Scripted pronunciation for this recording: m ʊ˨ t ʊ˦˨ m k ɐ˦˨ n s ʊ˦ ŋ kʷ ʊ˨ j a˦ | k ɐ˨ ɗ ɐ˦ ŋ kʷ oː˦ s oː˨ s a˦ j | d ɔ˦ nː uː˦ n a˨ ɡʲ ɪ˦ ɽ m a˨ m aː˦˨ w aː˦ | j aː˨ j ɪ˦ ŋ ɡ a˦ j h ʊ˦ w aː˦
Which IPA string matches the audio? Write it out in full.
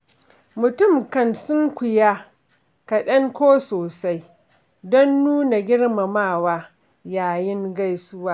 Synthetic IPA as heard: m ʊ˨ t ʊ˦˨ m k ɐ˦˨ n s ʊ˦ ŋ kʷ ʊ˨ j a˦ | k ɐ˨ ɗ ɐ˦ ŋ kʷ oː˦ s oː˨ s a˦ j | d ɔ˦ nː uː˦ n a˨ ɡʲ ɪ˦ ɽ m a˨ m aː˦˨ w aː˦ | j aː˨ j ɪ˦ ŋ ɡ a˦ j s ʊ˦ w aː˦